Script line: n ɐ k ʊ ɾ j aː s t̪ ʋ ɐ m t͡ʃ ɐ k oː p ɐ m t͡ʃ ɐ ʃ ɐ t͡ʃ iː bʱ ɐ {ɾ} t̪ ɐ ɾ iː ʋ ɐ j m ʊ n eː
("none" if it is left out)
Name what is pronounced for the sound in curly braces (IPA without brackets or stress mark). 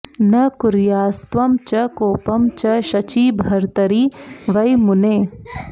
ɾ